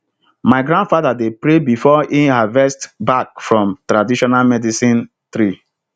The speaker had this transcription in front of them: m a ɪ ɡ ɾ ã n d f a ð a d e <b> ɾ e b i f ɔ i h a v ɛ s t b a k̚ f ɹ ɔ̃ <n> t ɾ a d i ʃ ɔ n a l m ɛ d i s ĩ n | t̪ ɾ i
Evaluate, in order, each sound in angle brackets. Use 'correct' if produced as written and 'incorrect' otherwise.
incorrect, incorrect

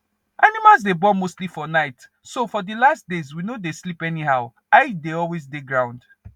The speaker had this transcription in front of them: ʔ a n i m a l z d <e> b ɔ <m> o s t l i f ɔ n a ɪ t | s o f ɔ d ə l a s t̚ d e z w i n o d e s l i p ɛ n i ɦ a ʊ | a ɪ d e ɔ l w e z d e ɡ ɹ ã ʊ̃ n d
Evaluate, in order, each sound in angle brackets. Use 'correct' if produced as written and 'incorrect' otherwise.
correct, correct

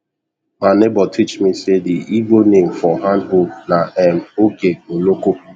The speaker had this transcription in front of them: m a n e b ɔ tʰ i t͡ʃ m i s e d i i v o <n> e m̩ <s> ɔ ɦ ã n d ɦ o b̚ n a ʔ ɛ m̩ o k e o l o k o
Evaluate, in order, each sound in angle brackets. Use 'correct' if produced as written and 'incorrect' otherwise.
correct, incorrect

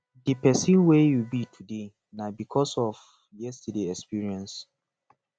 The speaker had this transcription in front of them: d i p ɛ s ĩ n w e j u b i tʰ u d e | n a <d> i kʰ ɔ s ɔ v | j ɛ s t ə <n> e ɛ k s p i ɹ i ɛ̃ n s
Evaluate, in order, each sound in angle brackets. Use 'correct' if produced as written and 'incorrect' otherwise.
incorrect, incorrect

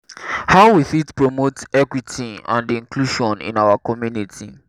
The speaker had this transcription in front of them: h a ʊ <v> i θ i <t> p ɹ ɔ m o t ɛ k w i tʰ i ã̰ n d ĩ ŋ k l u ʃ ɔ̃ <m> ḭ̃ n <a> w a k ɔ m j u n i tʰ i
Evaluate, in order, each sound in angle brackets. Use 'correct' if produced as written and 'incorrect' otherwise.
incorrect, correct, incorrect, correct

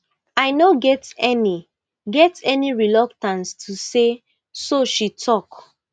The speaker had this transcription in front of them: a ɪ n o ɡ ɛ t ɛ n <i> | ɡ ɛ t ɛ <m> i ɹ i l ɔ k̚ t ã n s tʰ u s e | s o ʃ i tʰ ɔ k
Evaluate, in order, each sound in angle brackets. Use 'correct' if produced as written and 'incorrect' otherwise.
correct, incorrect

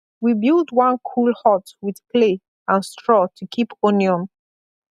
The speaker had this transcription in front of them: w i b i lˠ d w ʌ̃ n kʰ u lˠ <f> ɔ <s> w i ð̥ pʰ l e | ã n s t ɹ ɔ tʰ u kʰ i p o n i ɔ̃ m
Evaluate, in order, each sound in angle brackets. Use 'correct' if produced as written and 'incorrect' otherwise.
incorrect, incorrect

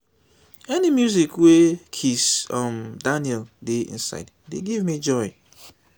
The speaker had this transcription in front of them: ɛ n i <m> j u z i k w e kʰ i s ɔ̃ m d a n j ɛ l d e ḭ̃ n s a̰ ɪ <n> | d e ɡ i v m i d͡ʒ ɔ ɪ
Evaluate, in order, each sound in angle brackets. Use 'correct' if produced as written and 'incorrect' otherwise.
correct, incorrect

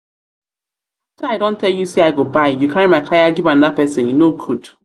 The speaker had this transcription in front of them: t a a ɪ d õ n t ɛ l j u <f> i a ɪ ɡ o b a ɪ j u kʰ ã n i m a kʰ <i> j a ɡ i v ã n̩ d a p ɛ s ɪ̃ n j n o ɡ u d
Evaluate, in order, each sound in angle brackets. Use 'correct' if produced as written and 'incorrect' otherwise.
incorrect, incorrect

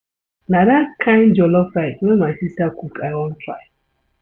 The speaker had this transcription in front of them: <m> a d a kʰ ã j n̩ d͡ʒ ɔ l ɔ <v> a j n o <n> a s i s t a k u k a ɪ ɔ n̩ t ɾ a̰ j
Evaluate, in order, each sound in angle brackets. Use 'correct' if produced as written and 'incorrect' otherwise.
incorrect, incorrect, incorrect

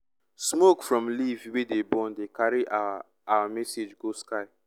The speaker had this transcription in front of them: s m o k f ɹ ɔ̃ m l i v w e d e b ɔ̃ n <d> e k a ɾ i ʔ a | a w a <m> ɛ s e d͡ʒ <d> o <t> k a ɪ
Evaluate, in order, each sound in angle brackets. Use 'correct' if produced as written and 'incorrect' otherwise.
correct, correct, incorrect, incorrect

